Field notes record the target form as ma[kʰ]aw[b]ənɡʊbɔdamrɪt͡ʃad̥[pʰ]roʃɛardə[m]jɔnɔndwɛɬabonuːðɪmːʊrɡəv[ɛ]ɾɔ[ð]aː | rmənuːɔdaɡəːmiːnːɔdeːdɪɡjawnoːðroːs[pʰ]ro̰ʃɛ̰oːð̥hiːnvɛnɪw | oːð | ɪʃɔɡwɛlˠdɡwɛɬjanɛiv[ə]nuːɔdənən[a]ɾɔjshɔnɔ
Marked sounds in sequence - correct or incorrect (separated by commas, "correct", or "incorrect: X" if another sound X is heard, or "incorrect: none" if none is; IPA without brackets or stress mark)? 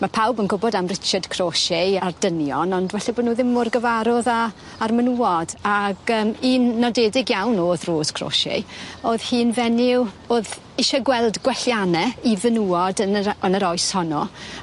incorrect: pʰ, correct, incorrect: kʰ, incorrect: n, incorrect: a, correct, incorrect: kʰ, correct, incorrect: ə